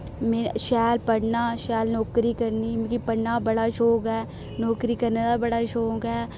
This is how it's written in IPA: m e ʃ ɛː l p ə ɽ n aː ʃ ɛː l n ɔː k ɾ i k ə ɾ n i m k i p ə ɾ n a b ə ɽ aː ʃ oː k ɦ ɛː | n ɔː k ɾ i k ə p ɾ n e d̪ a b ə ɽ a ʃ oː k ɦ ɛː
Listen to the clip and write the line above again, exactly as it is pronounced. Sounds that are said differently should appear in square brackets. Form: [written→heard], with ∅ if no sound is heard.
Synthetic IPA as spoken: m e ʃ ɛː l p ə ɽ n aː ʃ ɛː l n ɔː k ɾ i k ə ɾ n i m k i p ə [ɾ→ɽ] n a b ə ɽ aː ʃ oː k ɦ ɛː | n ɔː k ɾ i k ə [p→∅] ɾ n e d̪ a b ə ɽ a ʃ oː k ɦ ɛː